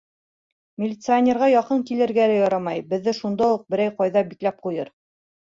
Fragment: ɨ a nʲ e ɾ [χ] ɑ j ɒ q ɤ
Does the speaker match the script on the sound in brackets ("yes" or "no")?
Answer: no